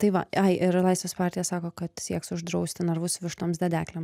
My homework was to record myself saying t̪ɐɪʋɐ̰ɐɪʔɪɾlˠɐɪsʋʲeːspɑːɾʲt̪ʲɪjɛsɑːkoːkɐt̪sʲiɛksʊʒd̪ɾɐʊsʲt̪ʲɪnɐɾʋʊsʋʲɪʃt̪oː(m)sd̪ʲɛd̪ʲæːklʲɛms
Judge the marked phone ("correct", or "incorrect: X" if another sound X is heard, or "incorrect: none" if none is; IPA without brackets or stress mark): correct